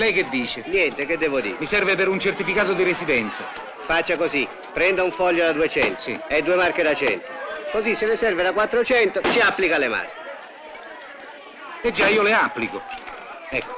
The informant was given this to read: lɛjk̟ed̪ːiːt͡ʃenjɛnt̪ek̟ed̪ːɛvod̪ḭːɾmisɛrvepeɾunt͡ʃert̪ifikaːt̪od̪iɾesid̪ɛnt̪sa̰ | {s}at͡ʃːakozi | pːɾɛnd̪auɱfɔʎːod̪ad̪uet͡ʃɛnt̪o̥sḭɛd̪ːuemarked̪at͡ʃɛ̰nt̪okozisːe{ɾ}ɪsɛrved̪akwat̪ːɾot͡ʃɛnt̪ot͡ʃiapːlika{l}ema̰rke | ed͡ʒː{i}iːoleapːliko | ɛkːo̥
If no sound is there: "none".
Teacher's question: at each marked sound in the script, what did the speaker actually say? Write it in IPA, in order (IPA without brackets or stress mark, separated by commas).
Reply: f, l, l, a